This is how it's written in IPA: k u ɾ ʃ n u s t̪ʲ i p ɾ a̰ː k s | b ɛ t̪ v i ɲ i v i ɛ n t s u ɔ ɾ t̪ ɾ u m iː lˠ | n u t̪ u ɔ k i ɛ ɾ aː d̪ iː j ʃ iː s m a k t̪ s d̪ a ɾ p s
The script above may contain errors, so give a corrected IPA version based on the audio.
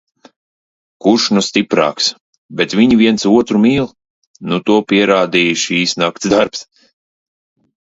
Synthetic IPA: k u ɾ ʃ n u s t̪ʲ i p ɾ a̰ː k s | b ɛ t̪ v i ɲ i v i ɛ n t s u ɔ t̪ ɾ u m iː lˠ | n u t̪ u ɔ p i ɛ ɾ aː d̪ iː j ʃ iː s n a k t̪ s d̪ a ɾ p s